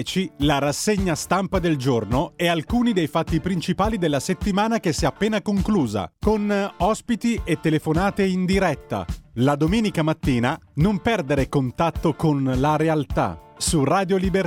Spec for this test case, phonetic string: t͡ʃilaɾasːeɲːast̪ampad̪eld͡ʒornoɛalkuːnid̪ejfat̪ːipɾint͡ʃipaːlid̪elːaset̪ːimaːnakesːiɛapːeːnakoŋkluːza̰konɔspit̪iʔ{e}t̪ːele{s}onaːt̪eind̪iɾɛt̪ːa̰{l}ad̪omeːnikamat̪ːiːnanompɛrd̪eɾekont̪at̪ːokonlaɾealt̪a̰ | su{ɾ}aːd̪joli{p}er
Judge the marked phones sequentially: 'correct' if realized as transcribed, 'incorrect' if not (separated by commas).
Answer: correct, incorrect, correct, incorrect, incorrect